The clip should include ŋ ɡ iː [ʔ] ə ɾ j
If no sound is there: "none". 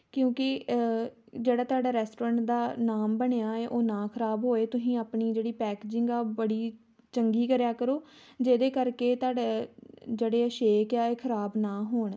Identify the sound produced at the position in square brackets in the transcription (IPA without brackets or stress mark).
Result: k